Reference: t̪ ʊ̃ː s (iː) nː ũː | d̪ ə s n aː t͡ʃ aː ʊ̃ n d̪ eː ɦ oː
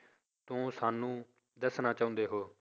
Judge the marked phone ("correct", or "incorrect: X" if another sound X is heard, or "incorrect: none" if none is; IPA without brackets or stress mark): incorrect: aː